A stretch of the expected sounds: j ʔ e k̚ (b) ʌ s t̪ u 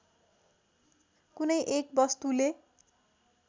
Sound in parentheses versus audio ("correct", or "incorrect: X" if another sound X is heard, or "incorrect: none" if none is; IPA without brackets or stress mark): correct